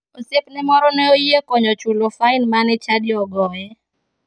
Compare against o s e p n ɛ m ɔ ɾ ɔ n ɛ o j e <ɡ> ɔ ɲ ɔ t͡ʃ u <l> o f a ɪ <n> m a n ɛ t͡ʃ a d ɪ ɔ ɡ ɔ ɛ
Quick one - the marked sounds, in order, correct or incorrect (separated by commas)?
incorrect, correct, correct